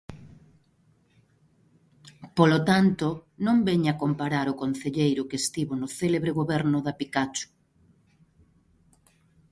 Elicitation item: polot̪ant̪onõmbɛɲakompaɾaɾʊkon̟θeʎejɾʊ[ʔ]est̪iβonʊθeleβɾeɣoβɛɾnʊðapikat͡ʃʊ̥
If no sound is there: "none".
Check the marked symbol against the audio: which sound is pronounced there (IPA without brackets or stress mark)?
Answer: k